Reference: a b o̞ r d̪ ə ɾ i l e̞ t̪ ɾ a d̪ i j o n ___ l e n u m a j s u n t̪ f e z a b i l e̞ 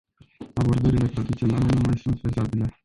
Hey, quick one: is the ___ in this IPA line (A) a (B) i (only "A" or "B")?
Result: A